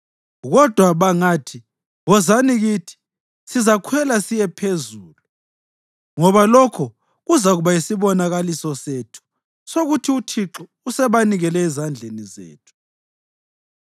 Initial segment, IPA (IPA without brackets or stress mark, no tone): ɣ